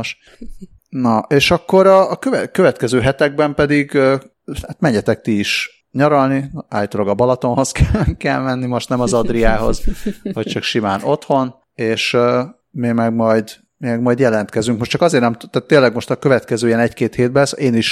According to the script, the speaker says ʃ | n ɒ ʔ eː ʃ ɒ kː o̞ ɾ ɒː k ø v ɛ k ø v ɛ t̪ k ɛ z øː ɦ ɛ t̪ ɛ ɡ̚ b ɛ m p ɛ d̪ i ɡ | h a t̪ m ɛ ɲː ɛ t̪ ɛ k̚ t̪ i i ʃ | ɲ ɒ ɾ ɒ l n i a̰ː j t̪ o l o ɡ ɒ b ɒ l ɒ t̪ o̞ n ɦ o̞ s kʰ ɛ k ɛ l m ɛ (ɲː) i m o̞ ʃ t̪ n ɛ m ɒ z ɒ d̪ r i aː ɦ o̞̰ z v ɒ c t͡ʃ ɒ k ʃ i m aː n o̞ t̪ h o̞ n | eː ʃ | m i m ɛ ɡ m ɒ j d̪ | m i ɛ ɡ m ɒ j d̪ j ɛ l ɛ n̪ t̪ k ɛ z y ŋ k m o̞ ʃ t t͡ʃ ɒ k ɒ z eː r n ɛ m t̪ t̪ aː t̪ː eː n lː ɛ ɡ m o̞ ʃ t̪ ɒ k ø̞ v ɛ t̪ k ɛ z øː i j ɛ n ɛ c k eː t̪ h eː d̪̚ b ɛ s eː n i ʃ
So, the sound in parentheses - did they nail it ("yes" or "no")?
no